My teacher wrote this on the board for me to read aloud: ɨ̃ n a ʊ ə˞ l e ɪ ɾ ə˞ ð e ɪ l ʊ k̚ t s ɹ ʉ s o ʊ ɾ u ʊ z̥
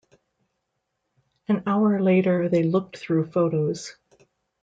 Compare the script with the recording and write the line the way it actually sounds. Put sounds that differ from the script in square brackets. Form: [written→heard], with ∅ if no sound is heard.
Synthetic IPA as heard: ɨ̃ n a ʊ ə˞ l e ɪ ɾ ə˞ ð e ɪ l ʊ k̚ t [s→θ] ɹ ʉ [s→f] o ʊ ɾ [u→o] ʊ z̥